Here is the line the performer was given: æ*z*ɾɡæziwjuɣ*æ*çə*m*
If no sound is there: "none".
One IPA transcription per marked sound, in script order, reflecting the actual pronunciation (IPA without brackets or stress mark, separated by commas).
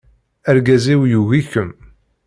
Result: none, i, m